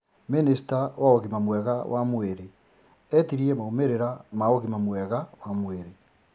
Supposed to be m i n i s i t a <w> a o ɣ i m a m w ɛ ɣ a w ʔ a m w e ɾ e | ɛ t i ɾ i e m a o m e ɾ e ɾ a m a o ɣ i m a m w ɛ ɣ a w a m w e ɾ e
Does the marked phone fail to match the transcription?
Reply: no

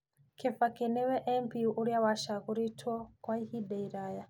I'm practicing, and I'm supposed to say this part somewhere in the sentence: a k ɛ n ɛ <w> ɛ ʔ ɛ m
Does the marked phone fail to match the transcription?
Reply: no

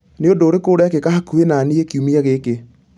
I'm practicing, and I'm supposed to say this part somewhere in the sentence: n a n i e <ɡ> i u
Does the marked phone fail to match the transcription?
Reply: yes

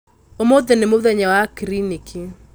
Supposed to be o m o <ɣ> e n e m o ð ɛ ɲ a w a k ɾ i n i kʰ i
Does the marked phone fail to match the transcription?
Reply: yes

